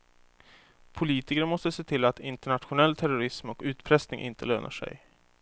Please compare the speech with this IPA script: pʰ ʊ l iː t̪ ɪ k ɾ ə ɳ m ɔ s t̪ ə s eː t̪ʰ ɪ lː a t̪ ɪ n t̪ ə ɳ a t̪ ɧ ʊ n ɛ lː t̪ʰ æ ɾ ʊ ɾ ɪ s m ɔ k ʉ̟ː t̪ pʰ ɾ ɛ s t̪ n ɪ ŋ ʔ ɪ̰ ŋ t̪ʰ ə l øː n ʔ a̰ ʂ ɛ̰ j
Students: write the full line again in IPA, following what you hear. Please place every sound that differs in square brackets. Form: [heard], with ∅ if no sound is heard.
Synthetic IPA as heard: pʰ ʊ l iː t̪ ɪ k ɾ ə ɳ m ɔ s t̪ ə s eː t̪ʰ ɪ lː a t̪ ɪ n t̪ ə ɳ a t̪ ɧ ʊ n ɛ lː t̪ʰ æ ɾ ʊ ɾ ɪ s m ɔ k ʉ̟ː t̪ pʰ ɾ ɛ s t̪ n ɪ ŋ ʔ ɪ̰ [n] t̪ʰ ə l øː n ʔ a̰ ʂ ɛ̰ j